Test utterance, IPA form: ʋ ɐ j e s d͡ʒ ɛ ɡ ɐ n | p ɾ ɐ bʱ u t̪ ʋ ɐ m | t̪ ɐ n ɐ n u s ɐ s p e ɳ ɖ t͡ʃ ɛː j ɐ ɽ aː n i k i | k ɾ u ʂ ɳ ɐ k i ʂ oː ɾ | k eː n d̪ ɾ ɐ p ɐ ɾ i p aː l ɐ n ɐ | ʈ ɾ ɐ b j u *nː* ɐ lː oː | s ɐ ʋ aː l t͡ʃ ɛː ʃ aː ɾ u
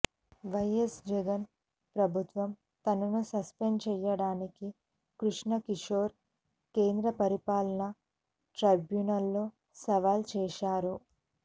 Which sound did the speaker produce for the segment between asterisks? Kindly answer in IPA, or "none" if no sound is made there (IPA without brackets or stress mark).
n